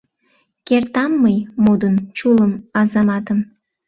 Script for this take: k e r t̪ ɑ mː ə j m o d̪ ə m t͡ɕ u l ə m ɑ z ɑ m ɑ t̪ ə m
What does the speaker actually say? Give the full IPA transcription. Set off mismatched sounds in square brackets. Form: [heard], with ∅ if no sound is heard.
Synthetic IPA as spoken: k e r t̪ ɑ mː ə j m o d̪ ə [n] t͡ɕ u l ə m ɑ z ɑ m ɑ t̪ ə m